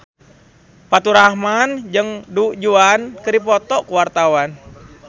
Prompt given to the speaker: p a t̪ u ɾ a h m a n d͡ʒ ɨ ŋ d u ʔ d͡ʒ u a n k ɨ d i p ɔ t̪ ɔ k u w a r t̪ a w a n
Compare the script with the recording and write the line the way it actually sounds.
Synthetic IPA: p a t̪ u ɾ a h m a n d͡ʒ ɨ ŋ d u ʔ d͡ʒ u a n k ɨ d i p ɔ t̪ ɔ k u w a r t̪ a w a n